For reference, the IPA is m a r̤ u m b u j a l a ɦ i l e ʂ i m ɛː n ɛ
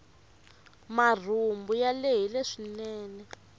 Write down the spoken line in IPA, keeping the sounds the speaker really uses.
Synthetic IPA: m a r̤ u m b u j a l e ɦ i l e ʂ i n ɛː n ɛ